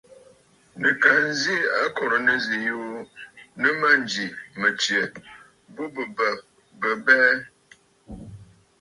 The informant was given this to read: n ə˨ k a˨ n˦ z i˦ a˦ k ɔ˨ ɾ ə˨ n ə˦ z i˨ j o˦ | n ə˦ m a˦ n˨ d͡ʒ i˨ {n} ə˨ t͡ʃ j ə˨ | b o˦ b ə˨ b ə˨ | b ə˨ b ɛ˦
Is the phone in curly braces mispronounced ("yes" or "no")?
yes